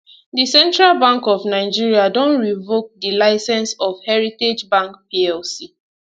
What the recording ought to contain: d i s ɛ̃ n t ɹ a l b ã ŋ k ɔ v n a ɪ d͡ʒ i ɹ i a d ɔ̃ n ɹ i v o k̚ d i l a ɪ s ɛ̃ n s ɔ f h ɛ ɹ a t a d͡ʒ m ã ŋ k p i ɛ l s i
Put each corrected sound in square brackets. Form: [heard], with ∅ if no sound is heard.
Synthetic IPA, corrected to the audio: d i s ɛ̃ n t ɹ a l b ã ŋ k ɔ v n a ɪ d͡ʒ i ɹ i a d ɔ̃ n ɹ i v o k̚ d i l a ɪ s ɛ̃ n s ɔ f h ɛ ɹ [i] t [e] d͡ʒ [b] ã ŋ k p i ɛ l s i